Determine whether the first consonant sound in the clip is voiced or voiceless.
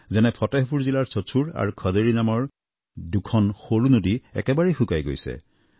voiced